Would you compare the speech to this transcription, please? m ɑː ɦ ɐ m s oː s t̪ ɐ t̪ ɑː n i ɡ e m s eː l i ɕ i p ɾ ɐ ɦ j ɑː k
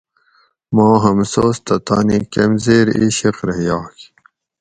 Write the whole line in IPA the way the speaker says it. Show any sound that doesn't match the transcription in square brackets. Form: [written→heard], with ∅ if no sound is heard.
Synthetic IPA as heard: m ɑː ɦ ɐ m s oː s t̪ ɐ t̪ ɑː n i [ɡ→k] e m [s→z] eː [l→ɾ] i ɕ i [p→q] ɾ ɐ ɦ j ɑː k

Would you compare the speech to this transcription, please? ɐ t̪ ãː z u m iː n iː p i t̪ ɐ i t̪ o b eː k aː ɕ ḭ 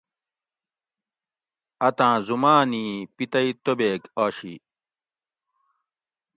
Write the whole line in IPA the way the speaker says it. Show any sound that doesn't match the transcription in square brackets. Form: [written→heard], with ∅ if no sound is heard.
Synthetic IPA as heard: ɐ t̪ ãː z u m [iː→aː] n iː p i t̪ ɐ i t̪ o b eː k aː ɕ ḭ

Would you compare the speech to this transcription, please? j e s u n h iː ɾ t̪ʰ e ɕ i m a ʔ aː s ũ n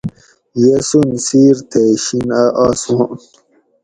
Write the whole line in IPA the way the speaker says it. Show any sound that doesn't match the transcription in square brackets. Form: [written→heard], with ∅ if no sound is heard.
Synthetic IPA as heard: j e s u n [h→s] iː ɾ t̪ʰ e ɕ i [m→n] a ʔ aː s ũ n

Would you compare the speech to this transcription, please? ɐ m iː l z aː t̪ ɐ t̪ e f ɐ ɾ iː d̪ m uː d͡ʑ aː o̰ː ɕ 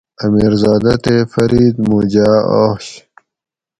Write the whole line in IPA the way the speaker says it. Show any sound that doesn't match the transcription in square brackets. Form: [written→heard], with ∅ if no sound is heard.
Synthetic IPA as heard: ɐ m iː [l→ɾ] z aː [t̪→d̪] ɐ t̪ e f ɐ ɾ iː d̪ m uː d͡ʑ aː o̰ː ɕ

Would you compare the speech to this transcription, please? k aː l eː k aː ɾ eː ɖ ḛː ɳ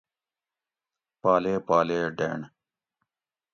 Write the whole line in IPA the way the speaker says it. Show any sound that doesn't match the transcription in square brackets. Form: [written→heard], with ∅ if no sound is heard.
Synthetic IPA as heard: [k→p] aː l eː [k→p] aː [ɾ→l] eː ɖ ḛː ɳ

